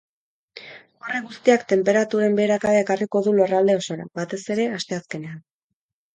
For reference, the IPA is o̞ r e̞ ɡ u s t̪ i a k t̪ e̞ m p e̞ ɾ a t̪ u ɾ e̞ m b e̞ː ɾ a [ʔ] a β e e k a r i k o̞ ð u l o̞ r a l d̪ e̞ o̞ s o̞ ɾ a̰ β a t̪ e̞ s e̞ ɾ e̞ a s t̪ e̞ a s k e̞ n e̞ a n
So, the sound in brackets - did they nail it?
no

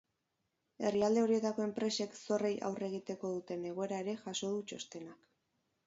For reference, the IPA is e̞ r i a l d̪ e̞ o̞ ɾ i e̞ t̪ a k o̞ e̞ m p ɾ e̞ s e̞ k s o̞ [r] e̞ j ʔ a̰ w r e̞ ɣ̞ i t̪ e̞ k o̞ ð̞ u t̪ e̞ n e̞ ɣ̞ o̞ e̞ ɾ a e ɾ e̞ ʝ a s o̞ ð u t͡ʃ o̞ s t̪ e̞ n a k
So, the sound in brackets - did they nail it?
yes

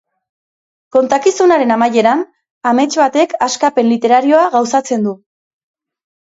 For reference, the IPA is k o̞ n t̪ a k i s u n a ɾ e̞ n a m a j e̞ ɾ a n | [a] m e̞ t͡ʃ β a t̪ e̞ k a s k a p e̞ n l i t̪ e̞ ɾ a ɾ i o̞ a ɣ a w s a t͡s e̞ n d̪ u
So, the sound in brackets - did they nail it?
yes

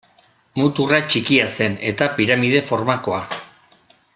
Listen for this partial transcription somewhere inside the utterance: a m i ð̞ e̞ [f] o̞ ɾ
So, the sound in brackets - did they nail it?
yes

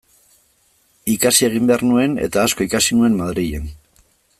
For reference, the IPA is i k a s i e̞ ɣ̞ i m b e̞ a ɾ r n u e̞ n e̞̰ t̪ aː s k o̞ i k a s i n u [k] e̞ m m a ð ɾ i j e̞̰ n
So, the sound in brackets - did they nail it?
no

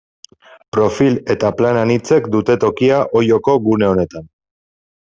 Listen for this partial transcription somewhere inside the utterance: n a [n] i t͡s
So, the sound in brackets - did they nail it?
yes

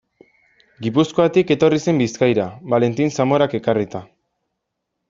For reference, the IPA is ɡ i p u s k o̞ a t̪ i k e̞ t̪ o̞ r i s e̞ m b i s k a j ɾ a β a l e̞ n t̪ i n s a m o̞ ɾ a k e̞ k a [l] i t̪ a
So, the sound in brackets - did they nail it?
no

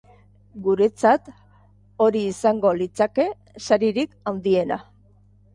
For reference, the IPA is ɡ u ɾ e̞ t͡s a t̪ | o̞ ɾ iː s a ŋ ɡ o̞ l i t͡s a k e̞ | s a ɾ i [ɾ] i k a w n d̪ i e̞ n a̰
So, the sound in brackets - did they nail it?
yes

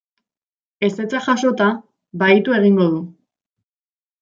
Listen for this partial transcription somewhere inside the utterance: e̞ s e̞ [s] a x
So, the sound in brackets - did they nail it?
no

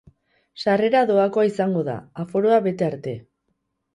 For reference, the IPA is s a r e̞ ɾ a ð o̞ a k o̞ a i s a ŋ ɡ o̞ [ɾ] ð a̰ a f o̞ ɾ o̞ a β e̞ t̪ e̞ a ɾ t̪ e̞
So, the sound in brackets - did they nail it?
no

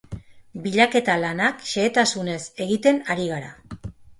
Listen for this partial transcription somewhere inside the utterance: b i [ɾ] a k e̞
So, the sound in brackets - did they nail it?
no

